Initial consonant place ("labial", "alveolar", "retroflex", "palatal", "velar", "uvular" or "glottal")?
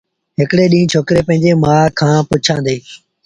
glottal